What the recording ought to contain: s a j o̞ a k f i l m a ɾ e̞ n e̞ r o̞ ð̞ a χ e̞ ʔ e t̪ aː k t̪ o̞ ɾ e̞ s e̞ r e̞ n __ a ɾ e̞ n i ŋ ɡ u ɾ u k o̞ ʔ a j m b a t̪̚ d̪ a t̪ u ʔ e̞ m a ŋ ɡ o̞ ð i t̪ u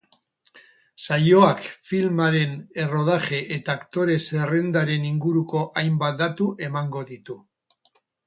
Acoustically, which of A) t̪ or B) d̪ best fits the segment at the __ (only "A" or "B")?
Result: B